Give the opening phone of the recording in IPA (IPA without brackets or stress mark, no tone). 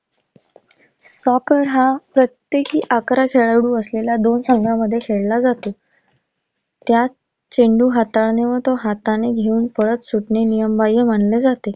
s